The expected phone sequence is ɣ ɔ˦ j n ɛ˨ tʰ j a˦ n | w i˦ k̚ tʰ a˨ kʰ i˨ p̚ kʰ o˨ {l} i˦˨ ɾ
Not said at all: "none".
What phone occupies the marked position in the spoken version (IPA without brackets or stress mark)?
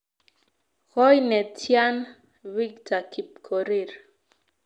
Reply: ɾ